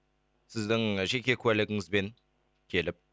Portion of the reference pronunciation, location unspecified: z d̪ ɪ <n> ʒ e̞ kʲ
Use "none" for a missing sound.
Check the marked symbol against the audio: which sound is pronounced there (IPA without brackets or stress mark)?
ŋ